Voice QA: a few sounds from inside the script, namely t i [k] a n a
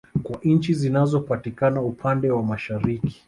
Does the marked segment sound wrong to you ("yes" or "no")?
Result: no